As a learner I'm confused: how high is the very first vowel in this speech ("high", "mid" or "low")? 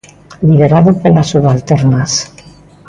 high